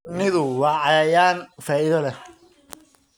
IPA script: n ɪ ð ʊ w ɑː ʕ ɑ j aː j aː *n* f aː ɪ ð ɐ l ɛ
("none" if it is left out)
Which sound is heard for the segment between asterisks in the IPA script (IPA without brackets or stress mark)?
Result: n